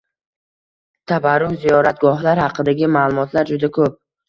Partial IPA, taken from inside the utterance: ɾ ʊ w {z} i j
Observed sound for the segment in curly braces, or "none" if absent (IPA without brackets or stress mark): z